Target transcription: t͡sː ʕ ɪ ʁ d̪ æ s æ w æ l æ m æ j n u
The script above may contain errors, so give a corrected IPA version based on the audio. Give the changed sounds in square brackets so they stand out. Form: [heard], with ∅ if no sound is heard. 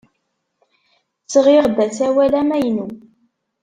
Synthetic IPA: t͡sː [ʁ] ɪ ʁ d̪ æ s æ w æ l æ m æ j n u